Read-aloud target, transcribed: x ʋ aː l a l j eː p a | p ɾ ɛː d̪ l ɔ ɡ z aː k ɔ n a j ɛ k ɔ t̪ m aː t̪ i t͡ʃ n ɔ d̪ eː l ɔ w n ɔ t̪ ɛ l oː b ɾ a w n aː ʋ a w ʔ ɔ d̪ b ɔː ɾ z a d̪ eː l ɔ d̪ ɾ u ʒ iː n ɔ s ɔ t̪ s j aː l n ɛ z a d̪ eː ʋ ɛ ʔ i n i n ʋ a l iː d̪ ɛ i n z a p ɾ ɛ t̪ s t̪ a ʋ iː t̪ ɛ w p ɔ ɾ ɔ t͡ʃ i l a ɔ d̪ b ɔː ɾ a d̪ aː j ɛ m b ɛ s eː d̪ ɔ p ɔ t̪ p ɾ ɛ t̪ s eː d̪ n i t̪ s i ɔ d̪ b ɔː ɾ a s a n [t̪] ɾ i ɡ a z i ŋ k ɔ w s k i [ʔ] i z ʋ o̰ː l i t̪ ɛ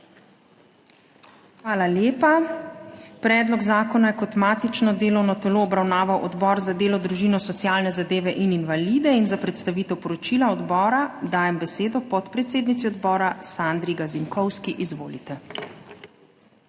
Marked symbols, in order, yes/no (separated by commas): no, yes